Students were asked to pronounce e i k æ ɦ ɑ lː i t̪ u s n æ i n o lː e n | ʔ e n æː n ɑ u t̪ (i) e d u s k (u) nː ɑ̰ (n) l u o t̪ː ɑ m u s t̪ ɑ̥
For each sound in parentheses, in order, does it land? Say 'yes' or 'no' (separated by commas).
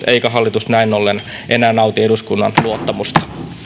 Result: yes, yes, yes